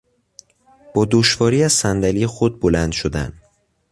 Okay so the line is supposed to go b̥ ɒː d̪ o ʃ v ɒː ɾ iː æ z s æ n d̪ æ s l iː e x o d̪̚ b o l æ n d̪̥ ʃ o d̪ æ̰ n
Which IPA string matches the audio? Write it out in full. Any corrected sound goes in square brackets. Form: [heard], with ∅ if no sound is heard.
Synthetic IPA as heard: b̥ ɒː d̪ o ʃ v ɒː ɾ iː æ z s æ n d̪ æ [∅] l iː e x o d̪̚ b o l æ n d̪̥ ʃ o d̪ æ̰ n